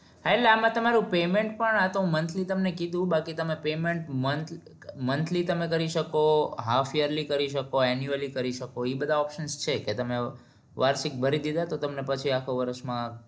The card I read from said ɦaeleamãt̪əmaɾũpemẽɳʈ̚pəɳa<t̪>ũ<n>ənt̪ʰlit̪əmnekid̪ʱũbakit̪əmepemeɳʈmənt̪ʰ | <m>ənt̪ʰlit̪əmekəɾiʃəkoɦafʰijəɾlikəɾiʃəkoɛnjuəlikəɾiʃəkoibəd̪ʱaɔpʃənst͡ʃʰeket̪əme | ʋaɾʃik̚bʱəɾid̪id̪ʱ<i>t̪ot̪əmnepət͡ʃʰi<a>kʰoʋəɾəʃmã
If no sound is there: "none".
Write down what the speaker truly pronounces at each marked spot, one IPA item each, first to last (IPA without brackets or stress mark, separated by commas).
t̪, m, m, a, a